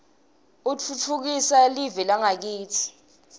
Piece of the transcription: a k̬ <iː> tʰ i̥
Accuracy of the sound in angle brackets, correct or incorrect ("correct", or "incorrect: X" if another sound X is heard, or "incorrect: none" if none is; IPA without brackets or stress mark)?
correct